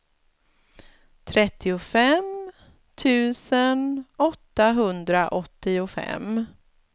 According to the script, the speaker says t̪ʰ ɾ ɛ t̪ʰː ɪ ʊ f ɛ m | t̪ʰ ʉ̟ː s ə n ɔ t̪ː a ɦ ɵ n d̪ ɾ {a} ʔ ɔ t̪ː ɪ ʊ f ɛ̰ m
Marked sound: correct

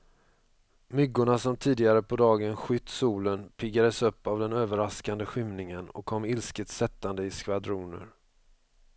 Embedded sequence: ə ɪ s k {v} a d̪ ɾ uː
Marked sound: correct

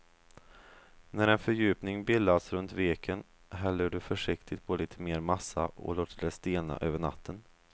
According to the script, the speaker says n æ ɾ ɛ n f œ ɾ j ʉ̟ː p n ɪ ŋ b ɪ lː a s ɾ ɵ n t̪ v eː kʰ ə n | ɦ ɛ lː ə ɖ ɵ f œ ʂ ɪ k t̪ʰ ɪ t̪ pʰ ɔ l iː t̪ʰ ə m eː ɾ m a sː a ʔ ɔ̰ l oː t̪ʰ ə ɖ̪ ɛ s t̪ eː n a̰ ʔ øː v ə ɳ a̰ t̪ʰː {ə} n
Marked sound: correct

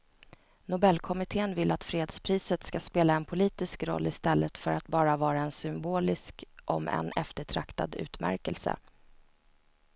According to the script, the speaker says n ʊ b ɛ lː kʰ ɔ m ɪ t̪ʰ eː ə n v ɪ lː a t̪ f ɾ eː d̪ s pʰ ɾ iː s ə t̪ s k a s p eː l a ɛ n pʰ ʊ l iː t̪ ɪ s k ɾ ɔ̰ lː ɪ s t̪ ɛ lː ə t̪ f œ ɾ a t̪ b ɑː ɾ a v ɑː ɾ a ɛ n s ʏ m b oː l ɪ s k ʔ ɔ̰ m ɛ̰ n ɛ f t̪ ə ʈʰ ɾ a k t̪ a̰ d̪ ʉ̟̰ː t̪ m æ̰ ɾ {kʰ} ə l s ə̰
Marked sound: incorrect: k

